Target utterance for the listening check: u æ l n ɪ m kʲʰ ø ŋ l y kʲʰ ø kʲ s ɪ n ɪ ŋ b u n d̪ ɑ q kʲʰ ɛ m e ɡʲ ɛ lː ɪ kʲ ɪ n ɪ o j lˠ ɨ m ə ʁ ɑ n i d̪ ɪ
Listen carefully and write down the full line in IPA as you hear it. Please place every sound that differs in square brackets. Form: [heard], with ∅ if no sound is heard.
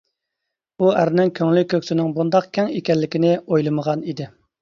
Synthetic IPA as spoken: u æ [ɾ] n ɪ [ŋ] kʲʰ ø ŋ l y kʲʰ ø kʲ s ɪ n ɪ ŋ b u n d̪ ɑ q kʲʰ ɛ [ŋ] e [kʲ] ɛ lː ɪ kʲ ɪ n ɪ o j lˠ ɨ m ə ʁ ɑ n i d̪ ɪ